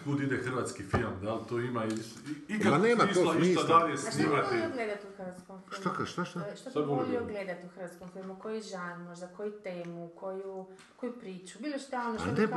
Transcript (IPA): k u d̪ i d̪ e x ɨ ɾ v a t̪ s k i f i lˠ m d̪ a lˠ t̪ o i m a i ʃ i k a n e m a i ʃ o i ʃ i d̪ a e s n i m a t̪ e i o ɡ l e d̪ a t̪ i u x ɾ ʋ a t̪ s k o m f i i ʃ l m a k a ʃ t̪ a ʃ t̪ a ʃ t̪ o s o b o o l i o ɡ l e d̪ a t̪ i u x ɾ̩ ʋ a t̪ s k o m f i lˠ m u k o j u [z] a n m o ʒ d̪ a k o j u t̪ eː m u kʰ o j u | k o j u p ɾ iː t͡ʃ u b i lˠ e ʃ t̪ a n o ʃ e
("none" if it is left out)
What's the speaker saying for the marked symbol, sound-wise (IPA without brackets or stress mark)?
ʒ